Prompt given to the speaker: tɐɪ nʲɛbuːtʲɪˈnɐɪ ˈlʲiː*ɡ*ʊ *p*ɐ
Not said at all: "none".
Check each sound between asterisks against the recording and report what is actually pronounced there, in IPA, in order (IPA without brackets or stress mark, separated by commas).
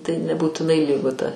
ɡ, t